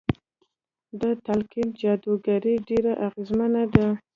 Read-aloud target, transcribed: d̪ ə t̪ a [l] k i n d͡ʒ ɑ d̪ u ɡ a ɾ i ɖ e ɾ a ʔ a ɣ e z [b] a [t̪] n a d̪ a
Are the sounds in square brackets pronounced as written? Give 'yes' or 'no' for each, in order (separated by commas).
yes, no, no